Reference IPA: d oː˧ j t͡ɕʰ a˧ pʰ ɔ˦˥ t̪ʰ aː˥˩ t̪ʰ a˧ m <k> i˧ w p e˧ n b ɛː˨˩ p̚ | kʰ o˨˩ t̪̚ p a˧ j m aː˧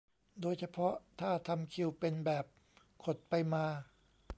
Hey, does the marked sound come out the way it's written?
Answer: no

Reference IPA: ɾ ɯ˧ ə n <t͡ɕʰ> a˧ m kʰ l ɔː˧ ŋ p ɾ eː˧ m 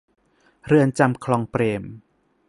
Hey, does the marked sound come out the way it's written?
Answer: no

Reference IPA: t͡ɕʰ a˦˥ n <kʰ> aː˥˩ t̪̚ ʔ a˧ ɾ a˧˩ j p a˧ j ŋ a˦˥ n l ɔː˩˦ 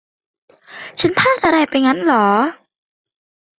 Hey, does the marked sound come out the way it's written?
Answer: no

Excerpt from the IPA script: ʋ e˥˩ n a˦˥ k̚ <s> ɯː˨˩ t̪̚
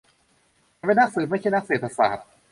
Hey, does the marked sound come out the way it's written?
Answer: yes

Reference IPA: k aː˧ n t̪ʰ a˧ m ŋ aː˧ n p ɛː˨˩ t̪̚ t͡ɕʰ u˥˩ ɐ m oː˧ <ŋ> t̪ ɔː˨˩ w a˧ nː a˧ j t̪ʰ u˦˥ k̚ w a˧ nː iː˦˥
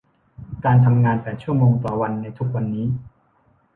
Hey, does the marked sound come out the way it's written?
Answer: yes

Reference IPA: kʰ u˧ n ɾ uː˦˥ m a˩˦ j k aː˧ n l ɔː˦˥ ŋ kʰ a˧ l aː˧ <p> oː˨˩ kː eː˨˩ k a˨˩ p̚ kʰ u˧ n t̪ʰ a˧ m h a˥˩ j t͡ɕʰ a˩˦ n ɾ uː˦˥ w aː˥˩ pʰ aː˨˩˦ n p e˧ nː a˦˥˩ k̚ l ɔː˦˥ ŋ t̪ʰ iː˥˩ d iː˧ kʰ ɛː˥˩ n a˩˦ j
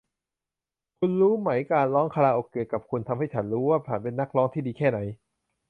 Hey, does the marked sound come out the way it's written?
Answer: no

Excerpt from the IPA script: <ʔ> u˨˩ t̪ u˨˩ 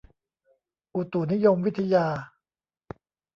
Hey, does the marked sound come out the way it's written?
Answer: yes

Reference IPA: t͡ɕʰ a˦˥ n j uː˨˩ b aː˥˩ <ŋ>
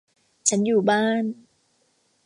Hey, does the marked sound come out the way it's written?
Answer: no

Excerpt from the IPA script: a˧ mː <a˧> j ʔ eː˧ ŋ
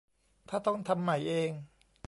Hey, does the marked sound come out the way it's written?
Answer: no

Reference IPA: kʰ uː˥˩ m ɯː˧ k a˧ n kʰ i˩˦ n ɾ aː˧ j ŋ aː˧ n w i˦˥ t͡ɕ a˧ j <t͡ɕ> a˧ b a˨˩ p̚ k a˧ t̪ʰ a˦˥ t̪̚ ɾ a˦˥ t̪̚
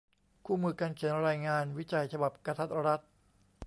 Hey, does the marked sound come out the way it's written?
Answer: no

